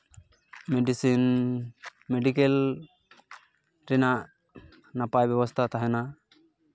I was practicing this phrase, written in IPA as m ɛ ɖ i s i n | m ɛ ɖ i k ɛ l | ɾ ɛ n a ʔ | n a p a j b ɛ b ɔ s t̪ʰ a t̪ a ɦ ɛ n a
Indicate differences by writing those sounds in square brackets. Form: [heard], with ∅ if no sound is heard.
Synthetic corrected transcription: m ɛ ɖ i s i n | m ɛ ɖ i k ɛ l | ɾ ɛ n a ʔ | n a p a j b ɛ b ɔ s t̪ʰ a t̪ a ɦ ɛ n a